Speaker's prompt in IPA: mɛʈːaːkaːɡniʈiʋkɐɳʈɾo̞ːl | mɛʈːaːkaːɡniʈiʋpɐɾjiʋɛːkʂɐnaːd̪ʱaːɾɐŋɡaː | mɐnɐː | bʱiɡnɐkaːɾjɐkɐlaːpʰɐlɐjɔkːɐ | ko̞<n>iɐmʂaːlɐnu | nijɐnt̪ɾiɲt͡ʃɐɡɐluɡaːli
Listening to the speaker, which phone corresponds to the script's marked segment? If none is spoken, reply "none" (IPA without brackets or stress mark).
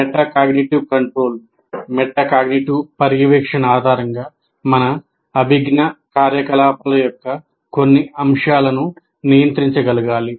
nː